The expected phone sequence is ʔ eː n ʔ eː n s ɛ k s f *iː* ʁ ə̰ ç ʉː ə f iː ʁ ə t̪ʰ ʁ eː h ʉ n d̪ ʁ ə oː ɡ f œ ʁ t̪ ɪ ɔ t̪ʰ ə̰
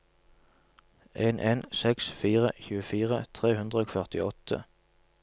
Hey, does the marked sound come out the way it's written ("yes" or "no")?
yes